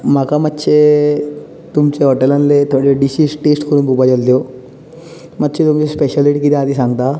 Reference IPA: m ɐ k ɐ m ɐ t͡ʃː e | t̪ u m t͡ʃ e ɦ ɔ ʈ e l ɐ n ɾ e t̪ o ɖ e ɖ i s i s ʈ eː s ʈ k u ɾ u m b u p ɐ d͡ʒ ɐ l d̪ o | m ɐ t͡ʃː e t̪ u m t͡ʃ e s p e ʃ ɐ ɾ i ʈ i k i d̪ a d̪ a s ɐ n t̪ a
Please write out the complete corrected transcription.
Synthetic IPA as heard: m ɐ k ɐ m ɐ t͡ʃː e | t̪ u m t͡ʃ e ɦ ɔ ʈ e l ɐ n l e t̪ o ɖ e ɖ i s i s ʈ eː s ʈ k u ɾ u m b u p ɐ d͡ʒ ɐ l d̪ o | m ɐ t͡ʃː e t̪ u m t͡ʃ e s p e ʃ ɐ l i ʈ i k i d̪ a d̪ i s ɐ n t̪ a

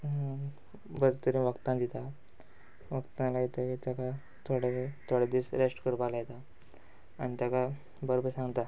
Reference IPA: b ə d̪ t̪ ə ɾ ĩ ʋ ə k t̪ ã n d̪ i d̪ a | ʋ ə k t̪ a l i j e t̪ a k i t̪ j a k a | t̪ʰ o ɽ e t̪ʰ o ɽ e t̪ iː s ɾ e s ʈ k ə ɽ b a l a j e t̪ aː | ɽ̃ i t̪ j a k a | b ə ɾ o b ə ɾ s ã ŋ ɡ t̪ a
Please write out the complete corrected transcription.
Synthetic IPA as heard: b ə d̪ t̪ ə ɾ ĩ ʋ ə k t̪ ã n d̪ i t̪ a | ʋ ə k t̪ a l a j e t̪ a k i t̪ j a k a | t̪ʰ o ɽ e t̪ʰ o ɽ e d̪ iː s ɾ e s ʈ k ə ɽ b a l a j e t̪ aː | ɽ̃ i t̪ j a k a | b ə ɾ o b ə ɾ s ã ŋ ɡ t̪ a

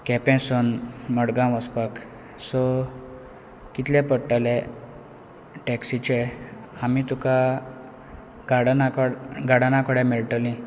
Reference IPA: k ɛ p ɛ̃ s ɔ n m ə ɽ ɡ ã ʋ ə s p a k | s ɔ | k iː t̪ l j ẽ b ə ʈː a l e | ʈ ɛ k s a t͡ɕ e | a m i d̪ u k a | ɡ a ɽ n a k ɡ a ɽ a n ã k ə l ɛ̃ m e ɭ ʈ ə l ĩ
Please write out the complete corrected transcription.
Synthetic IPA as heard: k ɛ p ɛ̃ s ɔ n m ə ɽ ɡ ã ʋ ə s p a k | s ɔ | k i t̪ l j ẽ p ə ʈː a l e | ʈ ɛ k s i t͡ɕ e | a m i t̪ u k a | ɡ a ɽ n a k ɡ a ɽ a n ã k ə ɽ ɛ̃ m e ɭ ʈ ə l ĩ

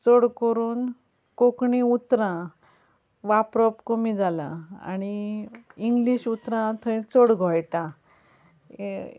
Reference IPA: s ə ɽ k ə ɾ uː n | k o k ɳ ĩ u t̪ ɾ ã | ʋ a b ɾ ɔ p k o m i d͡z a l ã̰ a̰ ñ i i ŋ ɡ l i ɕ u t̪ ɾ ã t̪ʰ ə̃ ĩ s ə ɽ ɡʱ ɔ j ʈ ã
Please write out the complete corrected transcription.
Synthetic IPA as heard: t͡s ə ɽ k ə ɾ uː n | k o k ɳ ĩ u t̪ ɾ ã | ʋ a p ɾ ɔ p k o m i d͡z a l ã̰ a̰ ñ i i ŋ ɡ l i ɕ u t̪ ɾ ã t̪ʰ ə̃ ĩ t͡s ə ɽ ɡʱ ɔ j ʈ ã

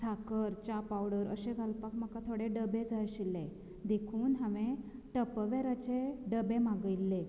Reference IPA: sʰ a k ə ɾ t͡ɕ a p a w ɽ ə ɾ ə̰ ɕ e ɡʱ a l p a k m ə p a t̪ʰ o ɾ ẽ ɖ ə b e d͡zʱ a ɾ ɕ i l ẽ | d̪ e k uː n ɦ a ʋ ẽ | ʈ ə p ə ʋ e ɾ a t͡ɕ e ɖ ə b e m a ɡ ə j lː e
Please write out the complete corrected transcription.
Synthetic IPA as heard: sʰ a k ə ɾ t͡ɕ a p a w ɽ ə ɾ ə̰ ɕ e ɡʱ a l p a k m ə k a t̪ʰ o ɽ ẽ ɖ ə b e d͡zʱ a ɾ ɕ i l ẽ | d̪ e kʰ uː n ɦ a ʋ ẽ | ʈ ə p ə ʋ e ɾ a t͡ɕ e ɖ ə b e m a ɡ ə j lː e

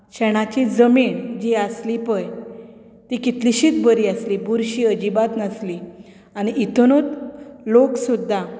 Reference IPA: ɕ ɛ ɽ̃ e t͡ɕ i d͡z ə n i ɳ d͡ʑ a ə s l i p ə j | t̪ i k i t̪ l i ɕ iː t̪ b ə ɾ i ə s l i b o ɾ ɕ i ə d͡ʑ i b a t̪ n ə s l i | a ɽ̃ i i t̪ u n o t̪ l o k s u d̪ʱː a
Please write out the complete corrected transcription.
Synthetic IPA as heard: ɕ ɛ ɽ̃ a t͡ɕ i d͡z ə m i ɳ d͡ʑ i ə s l i p ə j | t̪ i k i t̪ l i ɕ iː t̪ b ə ɾ i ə s l i b u ɾ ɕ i ə d͡ʑ i b a t̪ n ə s l i | a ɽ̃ i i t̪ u n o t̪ l o k s u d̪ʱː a

